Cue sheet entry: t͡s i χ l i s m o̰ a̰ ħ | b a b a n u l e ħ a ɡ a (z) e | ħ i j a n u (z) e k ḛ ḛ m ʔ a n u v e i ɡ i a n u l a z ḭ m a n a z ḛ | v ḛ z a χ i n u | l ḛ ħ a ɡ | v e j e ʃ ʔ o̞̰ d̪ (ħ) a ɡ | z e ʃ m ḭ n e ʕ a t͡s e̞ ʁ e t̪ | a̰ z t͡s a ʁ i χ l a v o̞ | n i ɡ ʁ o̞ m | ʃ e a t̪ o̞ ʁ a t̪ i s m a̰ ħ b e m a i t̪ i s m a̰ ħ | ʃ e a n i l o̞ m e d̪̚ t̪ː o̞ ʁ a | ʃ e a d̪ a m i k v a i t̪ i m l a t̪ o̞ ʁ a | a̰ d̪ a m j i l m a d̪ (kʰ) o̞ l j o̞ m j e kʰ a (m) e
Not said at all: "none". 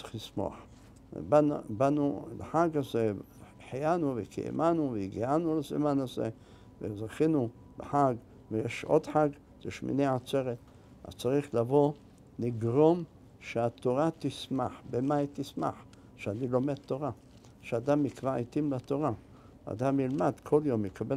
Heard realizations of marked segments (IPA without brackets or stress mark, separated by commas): z, v, ħ, kʰ, b